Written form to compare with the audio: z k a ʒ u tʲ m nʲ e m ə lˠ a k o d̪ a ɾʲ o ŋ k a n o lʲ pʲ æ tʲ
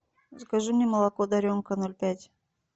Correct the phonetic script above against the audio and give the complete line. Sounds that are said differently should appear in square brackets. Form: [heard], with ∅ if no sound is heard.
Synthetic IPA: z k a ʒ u [∅] m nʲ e m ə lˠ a k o d̪ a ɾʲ o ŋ k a n o lʲ pʲ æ tʲ

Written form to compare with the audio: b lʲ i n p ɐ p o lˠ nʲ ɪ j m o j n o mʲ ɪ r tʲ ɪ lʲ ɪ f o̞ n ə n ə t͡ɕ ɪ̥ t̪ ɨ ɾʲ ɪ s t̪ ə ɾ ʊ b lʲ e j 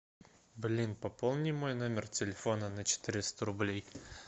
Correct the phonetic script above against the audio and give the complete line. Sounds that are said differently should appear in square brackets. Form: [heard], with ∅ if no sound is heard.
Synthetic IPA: b lʲ i n p ɐ p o lˠ nʲ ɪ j m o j n o mʲ ɪ r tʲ ɪ lʲ ɪ f o̞ n ə n ə t͡ɕ ɪ̥ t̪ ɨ ɾʲ ɪ s t̪ ə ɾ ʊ b lʲ e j

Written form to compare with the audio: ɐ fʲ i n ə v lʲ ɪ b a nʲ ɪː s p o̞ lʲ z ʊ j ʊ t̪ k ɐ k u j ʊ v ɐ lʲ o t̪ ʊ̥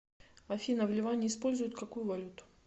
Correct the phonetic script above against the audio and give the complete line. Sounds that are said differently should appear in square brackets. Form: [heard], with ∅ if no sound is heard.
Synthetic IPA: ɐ fʲ i n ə v lʲ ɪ [v] a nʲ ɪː s p o̞ lʲ z ʊ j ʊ t̪ k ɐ k u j ʊ v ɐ lʲ [u] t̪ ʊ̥

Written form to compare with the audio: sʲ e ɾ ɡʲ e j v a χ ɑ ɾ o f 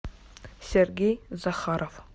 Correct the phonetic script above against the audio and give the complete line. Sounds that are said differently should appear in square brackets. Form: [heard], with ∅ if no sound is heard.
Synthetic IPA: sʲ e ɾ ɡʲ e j [z] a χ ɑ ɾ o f

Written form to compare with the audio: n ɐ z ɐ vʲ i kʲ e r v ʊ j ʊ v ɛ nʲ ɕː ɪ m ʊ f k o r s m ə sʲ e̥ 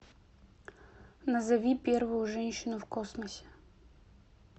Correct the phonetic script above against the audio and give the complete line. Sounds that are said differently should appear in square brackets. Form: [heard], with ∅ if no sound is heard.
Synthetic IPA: n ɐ z ɐ vʲ i [pʲ] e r v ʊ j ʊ [ʐ] ɛ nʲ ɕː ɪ [n] ʊ f k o [∅] s m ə sʲ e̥

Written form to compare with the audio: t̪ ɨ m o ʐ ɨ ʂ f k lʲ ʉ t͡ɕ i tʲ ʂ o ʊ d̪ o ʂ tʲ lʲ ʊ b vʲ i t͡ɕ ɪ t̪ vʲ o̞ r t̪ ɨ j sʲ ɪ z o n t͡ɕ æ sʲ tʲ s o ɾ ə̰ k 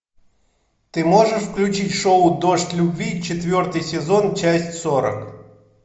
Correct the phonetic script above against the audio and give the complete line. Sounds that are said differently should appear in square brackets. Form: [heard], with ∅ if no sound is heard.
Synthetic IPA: t̪ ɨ m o ʐ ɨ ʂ f k lʲ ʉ t͡ɕ i tʲ ʂ o ʊ d̪ o ʂ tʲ lʲ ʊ b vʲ i t͡ɕ ɪ t̪ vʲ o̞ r t̪ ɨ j sʲ ɪ z o n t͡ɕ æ sʲ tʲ s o ɾ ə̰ k

